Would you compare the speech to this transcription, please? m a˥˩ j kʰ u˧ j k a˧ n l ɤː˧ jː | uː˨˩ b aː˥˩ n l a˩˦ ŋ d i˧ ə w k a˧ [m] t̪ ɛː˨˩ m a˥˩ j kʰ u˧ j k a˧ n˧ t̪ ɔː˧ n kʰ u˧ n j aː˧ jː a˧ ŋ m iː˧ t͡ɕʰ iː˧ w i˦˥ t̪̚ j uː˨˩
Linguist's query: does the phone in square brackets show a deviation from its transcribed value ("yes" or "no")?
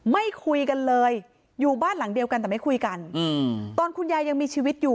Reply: yes